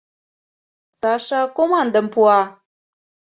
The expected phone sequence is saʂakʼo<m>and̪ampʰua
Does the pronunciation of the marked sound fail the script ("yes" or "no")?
no